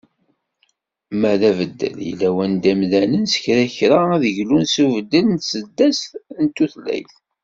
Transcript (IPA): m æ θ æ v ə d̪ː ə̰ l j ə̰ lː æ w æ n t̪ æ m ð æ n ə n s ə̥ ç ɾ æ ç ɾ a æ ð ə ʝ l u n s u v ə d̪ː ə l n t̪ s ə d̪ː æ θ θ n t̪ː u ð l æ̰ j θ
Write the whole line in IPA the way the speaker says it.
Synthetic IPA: m æ ð æ v ə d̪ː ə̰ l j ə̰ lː æ w æ n d̪ æ m ð æ n ə n s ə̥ ç ɾ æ ç ɾ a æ ð ə ʝ l u n s u v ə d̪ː ə l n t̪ s ə d̪ː æ s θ n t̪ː u θ l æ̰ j θ